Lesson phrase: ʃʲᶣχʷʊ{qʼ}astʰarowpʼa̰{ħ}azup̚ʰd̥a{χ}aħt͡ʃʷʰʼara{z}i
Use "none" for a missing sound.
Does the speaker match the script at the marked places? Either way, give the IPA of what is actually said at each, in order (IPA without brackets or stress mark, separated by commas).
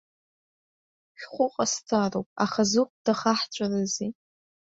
qʼ, χ, χ, z